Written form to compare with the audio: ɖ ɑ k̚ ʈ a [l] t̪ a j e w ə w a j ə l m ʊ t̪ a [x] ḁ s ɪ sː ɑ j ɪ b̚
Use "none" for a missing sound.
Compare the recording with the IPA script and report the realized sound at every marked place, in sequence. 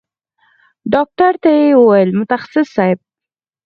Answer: ɾ, x

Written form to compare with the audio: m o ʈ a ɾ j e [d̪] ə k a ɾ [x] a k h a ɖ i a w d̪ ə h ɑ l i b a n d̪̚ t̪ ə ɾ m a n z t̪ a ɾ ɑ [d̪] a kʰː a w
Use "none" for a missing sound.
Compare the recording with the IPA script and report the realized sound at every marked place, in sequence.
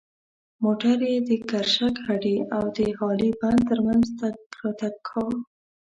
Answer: d̪, ʃ, t̪

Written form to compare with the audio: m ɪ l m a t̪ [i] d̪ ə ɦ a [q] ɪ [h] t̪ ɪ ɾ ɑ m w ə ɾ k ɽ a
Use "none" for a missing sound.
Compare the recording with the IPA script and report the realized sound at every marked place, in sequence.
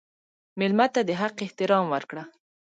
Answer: a, q, h

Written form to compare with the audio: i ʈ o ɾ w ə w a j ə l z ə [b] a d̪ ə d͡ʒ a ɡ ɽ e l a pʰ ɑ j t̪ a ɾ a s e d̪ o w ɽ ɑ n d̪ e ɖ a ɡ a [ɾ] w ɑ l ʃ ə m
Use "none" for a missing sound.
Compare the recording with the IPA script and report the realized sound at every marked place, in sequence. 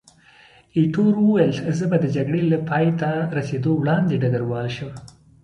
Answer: b, ɾ

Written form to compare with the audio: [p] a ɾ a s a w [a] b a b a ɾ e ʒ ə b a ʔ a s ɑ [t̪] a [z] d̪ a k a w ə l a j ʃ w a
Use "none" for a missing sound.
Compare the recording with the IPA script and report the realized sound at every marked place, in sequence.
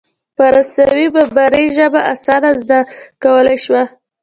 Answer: p, i, d̪, z

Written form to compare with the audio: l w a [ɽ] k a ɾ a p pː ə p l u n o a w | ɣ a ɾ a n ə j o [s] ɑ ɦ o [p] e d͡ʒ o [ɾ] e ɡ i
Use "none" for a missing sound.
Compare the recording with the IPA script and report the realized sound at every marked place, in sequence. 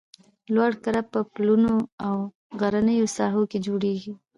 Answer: ɽ, s, k, ɽ

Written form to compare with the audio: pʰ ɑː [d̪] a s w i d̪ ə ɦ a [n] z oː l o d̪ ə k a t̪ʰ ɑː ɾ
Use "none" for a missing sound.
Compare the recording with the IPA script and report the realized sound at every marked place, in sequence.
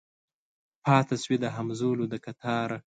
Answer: t̪, m

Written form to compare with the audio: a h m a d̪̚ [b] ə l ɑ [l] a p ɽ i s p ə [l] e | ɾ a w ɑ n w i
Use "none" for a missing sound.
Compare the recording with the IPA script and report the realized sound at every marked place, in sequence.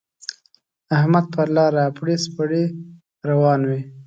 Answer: p, ɾ, ɽ

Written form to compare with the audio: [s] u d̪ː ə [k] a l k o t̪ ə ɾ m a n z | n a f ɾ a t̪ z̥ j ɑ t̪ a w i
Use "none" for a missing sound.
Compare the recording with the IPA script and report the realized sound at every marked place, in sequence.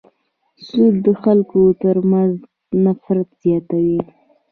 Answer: s, x

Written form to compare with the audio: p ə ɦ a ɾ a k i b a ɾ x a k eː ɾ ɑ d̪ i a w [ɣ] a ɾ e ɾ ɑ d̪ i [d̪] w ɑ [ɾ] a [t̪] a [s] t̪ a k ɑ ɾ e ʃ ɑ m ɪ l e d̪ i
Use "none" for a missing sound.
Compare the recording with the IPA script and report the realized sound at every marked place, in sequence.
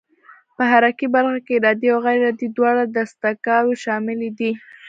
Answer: ɣ, d̪, ɽ, d̪, s

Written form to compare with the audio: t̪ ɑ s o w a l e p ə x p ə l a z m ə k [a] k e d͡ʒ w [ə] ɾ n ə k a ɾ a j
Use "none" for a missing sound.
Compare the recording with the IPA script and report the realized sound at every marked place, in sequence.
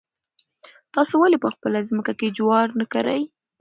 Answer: a, ɑ

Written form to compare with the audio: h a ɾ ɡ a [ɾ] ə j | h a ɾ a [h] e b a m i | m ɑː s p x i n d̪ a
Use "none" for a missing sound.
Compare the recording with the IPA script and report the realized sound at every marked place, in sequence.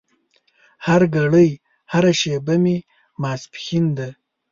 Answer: ɽ, ʃ

